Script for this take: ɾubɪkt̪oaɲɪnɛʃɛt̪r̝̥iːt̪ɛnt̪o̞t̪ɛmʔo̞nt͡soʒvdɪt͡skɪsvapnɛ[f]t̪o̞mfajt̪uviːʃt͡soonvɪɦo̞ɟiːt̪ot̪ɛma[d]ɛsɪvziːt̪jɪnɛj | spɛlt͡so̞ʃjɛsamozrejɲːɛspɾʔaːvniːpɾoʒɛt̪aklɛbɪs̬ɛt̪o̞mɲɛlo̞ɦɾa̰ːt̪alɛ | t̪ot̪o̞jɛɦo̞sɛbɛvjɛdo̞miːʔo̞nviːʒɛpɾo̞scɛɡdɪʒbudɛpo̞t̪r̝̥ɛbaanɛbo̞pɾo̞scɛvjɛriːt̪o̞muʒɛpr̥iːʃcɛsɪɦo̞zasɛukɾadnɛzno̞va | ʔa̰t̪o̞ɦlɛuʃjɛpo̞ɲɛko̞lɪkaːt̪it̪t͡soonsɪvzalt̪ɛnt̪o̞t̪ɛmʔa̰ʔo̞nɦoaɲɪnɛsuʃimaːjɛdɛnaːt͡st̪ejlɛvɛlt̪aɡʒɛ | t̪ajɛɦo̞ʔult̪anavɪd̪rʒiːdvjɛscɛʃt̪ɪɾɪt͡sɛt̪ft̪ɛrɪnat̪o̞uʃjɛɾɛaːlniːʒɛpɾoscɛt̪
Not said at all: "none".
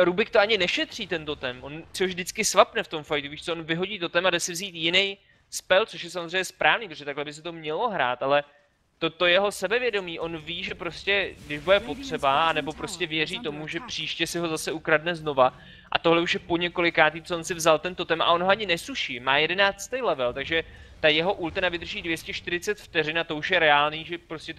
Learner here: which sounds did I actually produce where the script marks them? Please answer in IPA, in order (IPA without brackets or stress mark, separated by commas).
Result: f, d